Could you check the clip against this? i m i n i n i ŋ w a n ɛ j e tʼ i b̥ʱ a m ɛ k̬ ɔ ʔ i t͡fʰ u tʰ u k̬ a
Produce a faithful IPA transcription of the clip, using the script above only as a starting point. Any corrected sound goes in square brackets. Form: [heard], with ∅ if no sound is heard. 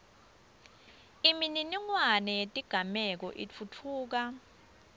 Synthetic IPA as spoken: i m i n i n i ŋ w a n ɛ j e tʼ i [ɡ̥ʱ] a m ɛ k̬ ɔ ʔ i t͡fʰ u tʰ [uː] k̬ a